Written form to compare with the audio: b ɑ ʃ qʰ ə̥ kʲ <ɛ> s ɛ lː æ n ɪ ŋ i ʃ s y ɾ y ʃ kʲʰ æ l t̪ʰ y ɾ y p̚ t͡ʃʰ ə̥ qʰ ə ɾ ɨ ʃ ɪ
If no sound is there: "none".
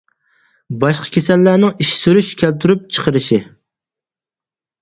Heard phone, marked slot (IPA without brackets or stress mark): e